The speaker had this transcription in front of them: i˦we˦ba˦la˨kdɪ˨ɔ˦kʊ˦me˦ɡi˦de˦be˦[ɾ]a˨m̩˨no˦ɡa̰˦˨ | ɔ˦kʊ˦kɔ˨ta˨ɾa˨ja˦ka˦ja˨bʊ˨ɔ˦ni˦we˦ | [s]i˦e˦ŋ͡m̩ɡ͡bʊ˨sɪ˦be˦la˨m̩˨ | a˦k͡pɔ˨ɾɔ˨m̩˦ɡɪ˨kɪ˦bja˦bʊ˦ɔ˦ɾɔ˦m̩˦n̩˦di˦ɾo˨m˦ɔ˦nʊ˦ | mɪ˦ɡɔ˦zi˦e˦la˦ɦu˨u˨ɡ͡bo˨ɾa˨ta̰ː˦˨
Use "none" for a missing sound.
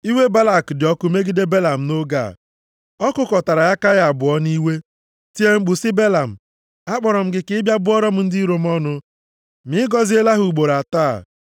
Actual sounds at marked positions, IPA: l, t

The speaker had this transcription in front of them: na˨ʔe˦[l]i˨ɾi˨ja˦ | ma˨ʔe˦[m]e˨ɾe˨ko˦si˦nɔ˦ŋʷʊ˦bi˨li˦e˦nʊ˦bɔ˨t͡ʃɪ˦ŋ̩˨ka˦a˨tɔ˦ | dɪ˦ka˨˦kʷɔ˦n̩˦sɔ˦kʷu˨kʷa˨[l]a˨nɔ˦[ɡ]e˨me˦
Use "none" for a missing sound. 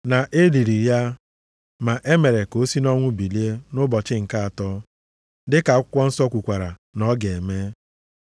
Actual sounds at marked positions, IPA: l, m, ɾ, ɡ

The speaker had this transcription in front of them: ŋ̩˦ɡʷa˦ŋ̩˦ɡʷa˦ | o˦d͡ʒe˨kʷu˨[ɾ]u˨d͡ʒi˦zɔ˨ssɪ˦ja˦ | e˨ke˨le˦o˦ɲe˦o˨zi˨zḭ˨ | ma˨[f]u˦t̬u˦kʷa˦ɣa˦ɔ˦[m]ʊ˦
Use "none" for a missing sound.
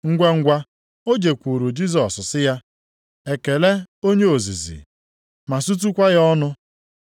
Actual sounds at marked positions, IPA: ɾ, s, n

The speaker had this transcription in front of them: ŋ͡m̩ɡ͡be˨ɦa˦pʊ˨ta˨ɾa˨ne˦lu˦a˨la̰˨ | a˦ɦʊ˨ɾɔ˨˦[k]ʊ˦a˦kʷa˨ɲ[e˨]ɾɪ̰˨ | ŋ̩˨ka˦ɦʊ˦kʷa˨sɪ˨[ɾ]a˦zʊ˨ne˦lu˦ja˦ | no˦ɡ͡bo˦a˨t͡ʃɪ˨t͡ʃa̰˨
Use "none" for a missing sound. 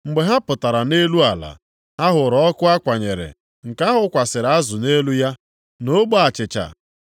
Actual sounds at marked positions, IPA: k, e˨, ɾ

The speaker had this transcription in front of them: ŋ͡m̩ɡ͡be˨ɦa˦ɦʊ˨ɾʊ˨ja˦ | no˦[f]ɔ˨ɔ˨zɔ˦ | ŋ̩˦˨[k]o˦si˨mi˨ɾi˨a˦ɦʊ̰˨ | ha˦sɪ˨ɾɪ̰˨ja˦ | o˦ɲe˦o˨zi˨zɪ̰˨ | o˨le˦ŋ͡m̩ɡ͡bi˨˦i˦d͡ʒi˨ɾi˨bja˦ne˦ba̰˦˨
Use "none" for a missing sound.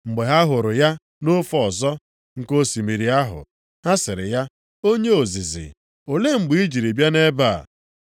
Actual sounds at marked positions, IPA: f, k

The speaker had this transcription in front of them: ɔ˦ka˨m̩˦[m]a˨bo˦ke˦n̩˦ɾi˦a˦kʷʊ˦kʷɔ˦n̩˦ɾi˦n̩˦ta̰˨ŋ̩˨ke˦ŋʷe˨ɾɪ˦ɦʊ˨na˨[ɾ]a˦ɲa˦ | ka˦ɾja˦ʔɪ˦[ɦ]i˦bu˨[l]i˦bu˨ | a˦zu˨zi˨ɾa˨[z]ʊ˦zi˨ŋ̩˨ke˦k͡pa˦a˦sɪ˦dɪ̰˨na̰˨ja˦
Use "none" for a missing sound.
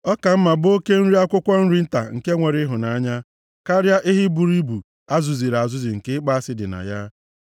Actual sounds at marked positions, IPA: m, none, ɦ, ɾ, z

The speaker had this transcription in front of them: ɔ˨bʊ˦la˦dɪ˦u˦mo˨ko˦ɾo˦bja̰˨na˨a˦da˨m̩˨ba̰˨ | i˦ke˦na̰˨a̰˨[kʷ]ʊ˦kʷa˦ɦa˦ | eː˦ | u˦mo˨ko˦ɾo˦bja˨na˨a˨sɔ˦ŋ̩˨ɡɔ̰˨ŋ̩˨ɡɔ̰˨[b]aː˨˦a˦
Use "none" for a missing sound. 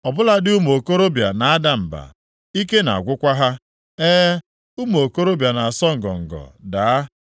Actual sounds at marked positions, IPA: ɡʷ, d

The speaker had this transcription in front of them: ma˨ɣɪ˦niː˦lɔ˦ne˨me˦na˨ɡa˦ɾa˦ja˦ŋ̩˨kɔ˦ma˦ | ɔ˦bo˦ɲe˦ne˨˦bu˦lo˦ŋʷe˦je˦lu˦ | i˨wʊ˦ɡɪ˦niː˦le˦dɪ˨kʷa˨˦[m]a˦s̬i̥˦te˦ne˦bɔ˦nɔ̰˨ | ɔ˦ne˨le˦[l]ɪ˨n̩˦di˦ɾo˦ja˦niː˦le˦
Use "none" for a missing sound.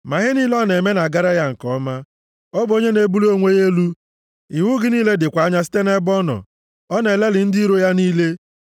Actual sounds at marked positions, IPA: ɲ, l

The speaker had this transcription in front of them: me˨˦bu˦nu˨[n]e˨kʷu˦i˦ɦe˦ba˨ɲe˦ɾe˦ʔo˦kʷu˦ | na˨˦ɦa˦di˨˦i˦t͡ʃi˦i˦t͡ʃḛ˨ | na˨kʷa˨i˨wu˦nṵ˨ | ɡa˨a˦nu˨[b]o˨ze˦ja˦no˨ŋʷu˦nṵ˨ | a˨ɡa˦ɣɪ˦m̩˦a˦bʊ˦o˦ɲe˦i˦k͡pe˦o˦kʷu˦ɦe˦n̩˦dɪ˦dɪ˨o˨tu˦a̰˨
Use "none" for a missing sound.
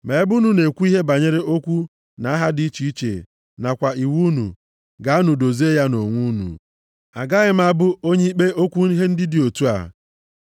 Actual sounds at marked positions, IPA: n, d

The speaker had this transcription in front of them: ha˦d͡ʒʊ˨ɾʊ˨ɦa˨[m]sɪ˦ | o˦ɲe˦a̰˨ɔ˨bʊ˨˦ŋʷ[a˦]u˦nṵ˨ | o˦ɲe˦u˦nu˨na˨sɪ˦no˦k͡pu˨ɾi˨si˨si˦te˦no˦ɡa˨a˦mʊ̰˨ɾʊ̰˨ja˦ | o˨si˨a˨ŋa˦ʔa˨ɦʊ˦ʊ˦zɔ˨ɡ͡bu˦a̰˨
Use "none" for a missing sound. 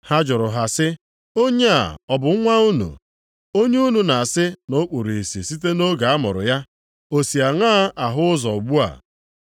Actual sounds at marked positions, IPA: none, a˦

